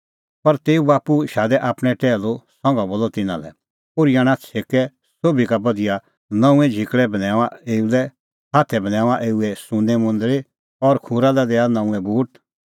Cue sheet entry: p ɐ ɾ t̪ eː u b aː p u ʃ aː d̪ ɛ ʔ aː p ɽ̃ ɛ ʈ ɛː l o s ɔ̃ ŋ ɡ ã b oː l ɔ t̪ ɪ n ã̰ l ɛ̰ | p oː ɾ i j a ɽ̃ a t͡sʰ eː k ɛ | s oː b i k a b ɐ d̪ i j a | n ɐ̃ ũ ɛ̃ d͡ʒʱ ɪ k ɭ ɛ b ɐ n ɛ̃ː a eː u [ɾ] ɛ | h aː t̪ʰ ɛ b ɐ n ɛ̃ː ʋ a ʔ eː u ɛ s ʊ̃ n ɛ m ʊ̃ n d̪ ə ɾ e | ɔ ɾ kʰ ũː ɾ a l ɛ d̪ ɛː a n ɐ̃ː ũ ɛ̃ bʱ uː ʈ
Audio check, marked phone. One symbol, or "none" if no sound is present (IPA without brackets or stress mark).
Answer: l